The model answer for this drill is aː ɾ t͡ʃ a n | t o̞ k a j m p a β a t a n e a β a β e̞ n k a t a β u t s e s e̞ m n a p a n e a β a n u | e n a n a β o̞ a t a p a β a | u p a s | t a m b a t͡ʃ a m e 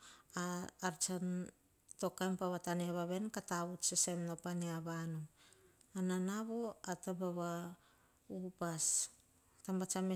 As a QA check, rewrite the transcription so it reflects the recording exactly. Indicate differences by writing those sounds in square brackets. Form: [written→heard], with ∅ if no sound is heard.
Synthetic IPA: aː ɾ t͡ʃ a n | t o̞ k a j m p a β a t a n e a β a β e̞ n k a t a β u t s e s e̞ m n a p a n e a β a n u | [e→a] n a n a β o̞ a t a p a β a | u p a s | t a m b a t͡ʃ a m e